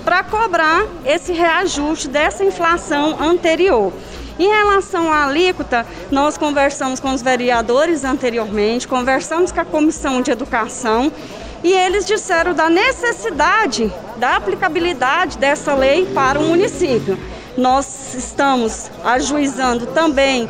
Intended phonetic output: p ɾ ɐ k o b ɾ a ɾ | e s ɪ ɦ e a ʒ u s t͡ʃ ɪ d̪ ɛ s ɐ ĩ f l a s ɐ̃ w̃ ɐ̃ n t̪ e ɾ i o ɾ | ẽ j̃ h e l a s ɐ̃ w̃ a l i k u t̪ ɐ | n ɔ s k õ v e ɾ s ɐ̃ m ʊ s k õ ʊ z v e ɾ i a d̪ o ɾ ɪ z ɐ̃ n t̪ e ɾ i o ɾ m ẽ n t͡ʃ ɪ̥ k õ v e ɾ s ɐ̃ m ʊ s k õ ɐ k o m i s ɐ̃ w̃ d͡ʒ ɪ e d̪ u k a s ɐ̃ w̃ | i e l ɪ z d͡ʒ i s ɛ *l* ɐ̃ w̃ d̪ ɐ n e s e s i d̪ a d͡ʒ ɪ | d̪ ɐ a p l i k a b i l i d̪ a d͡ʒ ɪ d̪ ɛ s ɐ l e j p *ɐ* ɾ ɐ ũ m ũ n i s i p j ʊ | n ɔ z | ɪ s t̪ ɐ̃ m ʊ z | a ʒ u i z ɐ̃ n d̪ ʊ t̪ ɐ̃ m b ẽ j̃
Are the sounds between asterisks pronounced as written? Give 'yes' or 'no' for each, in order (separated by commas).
no, no